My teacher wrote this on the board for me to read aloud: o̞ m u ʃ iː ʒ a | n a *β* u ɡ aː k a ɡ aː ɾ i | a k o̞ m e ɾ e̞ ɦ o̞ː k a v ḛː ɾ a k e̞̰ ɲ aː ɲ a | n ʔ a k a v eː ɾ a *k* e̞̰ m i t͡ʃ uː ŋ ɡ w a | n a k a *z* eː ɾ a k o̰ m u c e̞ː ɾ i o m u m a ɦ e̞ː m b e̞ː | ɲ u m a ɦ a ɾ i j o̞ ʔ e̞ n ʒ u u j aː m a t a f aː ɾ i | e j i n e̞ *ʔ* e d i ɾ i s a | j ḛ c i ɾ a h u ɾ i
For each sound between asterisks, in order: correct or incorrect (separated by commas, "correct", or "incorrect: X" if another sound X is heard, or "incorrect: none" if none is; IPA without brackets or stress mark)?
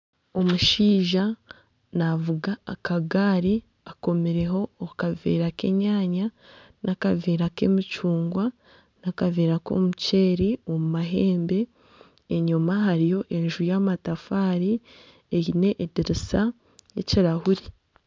incorrect: v, correct, incorrect: v, correct